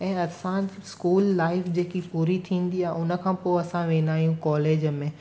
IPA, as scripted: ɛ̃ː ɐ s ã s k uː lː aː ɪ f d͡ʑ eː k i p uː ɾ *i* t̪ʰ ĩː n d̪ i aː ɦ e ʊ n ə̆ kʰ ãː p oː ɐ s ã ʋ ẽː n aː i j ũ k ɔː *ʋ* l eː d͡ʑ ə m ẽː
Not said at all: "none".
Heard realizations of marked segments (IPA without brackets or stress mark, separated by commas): i, none